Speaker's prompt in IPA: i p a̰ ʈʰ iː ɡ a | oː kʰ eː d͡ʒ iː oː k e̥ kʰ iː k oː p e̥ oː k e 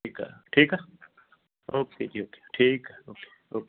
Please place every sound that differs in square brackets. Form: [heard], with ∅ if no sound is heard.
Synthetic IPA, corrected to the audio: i [k] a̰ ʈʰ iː [k] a | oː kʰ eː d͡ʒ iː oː k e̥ [ʈʰ] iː k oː [k] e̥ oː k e